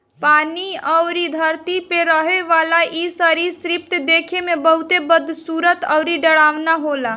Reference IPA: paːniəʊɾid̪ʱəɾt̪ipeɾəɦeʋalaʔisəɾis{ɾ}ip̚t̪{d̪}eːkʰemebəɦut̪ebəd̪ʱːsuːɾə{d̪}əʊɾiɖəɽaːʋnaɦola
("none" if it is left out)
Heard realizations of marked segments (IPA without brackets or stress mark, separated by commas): ɾ, d̪, t̪